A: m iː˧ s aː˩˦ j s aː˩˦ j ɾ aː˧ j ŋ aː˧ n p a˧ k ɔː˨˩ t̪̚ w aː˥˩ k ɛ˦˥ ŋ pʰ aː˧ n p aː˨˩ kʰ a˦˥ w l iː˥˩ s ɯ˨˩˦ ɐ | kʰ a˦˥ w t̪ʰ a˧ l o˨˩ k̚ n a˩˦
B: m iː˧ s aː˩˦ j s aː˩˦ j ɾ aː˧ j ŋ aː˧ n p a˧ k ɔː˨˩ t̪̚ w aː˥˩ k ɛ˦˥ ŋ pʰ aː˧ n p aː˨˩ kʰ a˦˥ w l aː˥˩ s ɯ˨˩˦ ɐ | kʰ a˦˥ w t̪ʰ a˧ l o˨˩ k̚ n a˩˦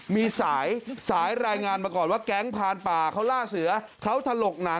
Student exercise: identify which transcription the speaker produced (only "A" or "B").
B